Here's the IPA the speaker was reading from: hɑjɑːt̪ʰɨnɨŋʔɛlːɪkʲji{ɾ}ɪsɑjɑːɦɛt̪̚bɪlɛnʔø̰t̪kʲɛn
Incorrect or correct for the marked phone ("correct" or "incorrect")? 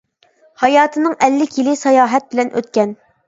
incorrect